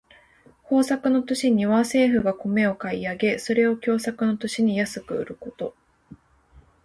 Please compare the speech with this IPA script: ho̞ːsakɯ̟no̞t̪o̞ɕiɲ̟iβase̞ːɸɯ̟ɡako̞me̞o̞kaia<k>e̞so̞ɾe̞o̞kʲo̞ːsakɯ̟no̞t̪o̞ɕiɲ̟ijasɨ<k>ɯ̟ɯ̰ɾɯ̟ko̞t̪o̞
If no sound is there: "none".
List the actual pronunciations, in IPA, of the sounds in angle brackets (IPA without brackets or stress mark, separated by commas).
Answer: ɡ, k